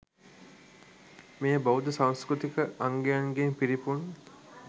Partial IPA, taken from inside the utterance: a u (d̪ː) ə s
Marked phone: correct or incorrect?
incorrect